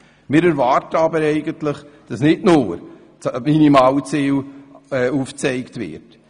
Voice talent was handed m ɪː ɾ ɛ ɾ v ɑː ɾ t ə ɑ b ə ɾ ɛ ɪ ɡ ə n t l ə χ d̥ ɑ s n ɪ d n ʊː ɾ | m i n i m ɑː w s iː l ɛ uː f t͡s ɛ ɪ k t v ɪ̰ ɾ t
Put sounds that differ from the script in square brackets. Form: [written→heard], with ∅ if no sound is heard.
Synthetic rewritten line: m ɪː ɾ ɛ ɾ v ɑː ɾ t ə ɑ b ə ɾ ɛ ɪ ɡ ə n t l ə χ d̥ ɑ s n ɪ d n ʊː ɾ | m i n i m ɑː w [s→t͡s] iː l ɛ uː f t͡s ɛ ɪ k t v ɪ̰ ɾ t